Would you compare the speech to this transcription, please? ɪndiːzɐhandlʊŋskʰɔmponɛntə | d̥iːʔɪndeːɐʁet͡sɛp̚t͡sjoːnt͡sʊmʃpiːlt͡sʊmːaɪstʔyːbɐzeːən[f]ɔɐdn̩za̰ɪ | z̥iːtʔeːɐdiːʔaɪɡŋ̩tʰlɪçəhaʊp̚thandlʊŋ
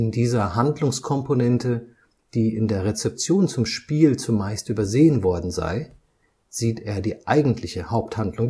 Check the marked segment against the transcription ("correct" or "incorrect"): incorrect